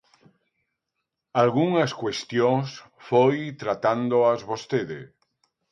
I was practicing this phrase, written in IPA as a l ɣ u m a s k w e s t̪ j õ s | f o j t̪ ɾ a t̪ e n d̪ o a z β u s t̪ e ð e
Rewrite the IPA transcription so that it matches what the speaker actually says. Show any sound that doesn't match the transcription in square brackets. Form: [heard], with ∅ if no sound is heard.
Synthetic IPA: a l ɣ u [ŋ] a s k w e s t̪ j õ s | f o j t̪ ɾ a t̪ [a] n d̪ o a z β [o] s t̪ e ð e